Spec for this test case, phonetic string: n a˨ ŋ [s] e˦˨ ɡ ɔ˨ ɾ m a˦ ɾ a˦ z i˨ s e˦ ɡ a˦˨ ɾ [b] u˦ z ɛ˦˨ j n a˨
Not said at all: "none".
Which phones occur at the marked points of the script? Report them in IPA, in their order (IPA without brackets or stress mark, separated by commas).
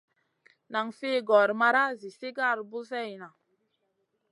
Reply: f, b